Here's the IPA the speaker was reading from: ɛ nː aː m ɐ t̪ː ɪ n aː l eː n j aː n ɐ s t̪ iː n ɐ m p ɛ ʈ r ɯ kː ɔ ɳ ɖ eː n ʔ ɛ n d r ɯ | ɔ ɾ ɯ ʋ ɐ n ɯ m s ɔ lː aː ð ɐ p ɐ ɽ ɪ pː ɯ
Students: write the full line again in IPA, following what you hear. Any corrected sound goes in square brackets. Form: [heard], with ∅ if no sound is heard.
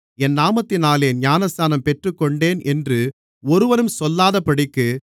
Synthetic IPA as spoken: ɛ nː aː m ɐ t̪ː ɪ n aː l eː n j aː n ɐ s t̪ [aː] n ɐ m p ɛ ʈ r ɯ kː ɔ ɳ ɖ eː n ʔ ɛ n d r ɯ | ɔ ɾ ɯ ʋ ɐ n ɯ m s ɔ lː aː ð ɐ p ɐ ɽ ɪ [kː] ɯ

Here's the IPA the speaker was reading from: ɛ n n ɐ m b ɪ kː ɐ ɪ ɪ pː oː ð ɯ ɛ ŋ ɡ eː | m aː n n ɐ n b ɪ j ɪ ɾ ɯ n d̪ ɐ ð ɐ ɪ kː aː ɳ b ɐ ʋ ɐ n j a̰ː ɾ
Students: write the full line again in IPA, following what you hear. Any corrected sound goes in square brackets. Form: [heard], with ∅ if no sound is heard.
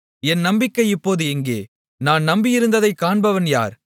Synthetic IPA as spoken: ɛ n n ɐ m b ɪ kː ɐ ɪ ɪ pː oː ð ɯ ɛ ŋ ɡ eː | [n] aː n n ɐ [m] b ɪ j ɪ ɾ ɯ n d̪ ɐ ð ɐ ɪ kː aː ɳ b ɐ ʋ ɐ n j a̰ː ɾ

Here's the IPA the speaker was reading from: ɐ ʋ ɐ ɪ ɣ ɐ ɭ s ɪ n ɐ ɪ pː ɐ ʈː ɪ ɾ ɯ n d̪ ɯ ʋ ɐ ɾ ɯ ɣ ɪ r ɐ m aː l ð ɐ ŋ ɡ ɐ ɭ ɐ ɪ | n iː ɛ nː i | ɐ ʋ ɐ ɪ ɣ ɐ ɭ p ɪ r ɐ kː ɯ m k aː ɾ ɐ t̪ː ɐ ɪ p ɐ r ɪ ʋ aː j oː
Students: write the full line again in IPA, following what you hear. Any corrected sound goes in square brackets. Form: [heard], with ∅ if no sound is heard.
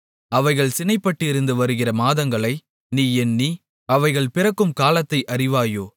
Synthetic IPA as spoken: ɐ ʋ ɐ ɪ ɣ ɐ ɭ s ɪ n ɐ ɪ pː ɐ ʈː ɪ ɾ ɯ n d̪ ɯ ʋ ɐ ɾ ɯ ɣ ɪ r ɐ m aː [∅] ð ɐ ŋ ɡ ɐ ɭ ɐ ɪ | n iː ɛ nː i | ɐ ʋ ɐ ɪ ɣ ɐ ɭ p ɪ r ɐ kː ɯ m k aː [l] ɐ t̪ː ɐ ɪ [ʔ] ɐ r ɪ ʋ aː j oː

